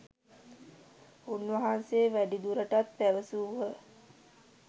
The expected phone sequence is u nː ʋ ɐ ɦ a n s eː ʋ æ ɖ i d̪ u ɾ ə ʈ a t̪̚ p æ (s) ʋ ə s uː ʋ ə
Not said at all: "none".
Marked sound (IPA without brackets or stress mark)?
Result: none